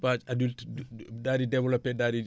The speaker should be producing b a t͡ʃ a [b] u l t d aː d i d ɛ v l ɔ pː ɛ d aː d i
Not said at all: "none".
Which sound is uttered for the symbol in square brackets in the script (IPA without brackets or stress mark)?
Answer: d